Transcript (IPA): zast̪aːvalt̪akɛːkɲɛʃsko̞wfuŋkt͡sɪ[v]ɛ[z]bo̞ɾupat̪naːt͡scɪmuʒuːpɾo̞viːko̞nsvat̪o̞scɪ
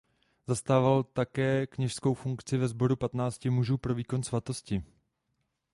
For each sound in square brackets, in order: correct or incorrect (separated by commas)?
correct, correct